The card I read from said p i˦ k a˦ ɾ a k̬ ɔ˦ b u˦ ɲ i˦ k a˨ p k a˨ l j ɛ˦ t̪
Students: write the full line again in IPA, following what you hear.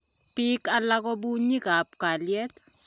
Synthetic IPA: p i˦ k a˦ l a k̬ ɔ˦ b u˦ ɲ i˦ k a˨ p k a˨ l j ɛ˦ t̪